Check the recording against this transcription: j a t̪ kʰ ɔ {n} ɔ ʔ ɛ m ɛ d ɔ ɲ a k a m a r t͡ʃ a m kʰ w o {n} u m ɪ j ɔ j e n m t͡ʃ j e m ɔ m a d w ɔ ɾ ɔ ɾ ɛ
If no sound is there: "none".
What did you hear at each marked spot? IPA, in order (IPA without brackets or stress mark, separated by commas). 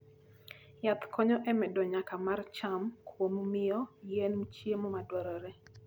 ɲ, m